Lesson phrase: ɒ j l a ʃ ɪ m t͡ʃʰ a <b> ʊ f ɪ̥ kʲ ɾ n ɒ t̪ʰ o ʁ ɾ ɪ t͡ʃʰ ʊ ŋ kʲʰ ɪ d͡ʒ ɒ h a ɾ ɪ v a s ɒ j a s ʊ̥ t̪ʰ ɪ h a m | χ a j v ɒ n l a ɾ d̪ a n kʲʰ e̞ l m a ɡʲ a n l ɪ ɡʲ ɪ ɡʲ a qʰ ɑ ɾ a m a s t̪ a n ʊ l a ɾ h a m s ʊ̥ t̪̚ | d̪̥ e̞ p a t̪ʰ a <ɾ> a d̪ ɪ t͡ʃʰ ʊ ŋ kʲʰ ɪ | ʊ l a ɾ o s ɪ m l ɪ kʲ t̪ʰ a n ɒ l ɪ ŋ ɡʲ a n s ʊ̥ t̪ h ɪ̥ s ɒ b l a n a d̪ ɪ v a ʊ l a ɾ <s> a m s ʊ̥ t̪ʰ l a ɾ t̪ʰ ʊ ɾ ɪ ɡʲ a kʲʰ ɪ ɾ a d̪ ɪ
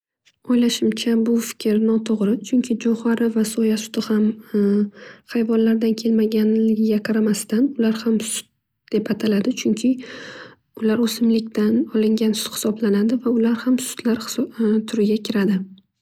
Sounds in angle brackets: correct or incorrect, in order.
correct, incorrect: l, incorrect: h

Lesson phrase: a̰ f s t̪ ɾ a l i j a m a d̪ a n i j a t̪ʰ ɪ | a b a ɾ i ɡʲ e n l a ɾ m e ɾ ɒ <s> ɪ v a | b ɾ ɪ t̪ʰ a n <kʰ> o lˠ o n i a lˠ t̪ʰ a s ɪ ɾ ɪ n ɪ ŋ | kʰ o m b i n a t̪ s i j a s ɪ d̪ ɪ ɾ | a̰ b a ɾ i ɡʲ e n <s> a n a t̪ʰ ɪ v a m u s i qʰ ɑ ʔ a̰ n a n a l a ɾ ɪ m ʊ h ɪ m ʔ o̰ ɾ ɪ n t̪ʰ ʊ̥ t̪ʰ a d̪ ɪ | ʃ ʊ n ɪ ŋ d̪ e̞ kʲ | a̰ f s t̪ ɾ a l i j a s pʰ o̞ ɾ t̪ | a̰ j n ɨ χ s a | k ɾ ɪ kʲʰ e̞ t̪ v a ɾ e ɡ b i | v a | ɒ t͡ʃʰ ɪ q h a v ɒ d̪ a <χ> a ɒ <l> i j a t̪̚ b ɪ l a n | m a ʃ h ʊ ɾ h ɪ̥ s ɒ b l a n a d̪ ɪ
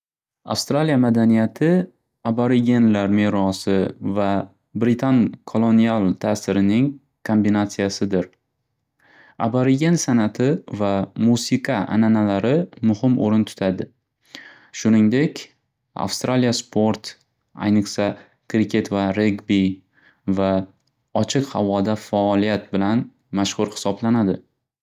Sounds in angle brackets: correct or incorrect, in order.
correct, correct, correct, incorrect: f, correct

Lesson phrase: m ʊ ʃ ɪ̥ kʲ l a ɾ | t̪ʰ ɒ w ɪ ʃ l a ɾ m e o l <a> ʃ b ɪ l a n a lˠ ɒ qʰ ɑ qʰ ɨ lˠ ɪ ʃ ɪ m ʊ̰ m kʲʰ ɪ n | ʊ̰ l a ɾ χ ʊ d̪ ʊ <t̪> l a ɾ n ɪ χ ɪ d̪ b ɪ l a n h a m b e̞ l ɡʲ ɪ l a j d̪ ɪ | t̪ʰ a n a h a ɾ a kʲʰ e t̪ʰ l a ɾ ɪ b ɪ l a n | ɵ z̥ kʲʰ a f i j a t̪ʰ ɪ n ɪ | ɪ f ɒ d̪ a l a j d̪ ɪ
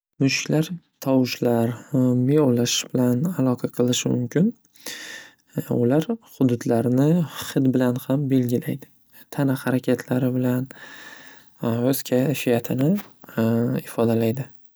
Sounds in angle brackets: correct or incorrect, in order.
correct, incorrect: d̪

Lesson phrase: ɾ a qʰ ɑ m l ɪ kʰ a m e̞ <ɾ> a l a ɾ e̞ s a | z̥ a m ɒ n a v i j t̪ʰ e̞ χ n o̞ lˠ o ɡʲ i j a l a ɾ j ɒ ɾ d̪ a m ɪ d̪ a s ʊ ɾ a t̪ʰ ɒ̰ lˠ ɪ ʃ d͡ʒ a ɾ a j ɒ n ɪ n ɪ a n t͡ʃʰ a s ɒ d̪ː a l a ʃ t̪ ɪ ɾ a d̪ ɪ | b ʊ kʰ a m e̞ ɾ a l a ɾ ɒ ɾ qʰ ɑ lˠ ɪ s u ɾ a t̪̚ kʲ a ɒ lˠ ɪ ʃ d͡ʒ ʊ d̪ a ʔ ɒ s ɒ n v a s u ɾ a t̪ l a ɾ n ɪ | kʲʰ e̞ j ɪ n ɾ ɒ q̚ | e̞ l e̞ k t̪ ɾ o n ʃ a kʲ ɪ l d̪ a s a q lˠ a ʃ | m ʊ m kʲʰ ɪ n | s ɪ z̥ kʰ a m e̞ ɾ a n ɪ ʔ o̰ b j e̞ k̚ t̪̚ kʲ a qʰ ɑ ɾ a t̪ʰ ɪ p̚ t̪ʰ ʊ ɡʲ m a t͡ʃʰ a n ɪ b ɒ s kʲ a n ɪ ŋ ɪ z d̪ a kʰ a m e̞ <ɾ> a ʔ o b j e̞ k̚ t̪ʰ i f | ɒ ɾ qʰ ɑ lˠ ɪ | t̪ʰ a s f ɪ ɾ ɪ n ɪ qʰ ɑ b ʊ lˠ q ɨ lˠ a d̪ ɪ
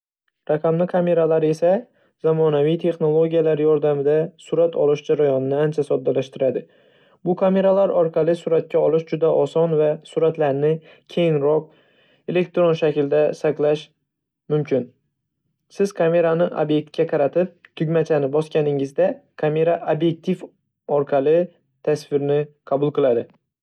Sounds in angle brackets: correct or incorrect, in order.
correct, correct

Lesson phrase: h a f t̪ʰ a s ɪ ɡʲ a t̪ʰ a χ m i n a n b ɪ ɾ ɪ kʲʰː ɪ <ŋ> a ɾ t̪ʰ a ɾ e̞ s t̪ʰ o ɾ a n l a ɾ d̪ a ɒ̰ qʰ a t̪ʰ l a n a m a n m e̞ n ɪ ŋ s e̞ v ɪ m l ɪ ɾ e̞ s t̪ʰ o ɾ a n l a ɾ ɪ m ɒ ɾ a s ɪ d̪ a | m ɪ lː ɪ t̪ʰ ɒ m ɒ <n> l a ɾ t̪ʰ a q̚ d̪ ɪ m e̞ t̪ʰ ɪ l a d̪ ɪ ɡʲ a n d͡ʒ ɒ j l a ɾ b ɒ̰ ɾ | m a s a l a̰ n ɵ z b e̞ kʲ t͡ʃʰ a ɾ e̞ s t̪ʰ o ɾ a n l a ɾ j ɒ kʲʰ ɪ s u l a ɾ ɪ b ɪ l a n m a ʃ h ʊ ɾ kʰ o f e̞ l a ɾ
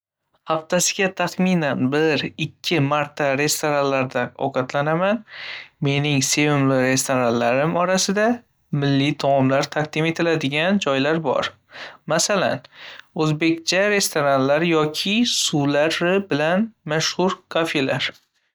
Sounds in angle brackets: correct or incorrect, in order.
incorrect: m, incorrect: m

